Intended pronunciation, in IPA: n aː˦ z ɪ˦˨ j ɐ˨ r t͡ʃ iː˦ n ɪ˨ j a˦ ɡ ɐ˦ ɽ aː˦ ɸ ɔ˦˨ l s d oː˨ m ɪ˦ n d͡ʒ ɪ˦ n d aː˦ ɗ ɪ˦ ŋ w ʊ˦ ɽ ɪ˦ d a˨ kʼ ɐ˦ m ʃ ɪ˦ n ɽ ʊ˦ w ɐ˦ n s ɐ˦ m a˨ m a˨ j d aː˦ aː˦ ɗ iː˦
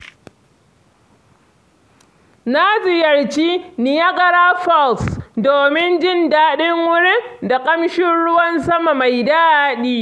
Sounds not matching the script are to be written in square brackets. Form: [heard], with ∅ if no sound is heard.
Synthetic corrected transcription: n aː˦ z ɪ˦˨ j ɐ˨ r t͡ʃ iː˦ n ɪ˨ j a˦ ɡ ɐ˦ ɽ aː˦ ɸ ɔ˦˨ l s d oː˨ m ɪ˦ n d͡ʒ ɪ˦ n d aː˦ ɗ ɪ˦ ŋ w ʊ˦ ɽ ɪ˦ d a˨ kʼ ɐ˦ m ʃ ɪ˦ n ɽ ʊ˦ w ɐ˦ n s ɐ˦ m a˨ m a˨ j d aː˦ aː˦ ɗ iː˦